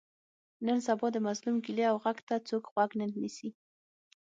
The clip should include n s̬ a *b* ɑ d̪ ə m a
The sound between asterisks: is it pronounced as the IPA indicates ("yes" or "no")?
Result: yes